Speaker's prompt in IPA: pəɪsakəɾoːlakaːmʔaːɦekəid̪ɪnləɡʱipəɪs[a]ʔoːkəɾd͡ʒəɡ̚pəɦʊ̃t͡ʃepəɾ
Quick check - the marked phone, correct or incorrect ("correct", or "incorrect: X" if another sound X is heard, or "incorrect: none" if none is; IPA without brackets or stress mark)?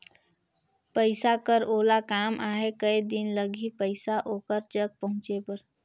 correct